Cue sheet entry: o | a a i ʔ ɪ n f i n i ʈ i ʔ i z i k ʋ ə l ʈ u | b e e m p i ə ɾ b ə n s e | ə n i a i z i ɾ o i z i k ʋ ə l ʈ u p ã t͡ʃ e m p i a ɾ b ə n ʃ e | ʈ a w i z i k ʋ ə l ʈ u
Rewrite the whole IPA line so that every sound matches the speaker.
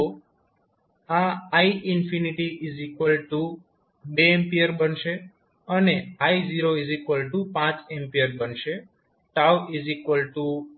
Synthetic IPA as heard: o | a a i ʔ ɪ n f i n i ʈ i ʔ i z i k ʋ ə l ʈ u | b e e m p i ə ɾ b ə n ʃ e | ə n e a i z i ɾ o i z i k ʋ ə l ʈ u p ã t͡ʃ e m p i ə ɾ b ə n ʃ e | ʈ a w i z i k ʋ ə l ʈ u